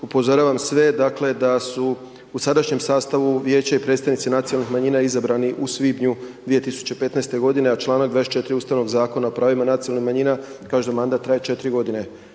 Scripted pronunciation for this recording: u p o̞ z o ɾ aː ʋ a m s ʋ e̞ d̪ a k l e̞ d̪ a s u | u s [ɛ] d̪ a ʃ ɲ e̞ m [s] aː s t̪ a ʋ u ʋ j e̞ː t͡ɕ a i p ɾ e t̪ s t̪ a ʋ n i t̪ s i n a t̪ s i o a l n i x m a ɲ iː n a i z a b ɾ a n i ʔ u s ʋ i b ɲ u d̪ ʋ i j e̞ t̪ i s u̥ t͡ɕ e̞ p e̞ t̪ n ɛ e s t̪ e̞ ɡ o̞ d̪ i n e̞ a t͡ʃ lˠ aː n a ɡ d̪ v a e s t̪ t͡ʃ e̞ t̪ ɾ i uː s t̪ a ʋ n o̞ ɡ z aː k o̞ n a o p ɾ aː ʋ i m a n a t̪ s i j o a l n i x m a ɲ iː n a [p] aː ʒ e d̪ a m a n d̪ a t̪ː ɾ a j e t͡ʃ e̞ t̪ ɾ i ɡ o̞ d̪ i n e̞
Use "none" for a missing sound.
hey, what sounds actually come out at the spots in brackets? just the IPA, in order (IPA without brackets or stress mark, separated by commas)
a, s, k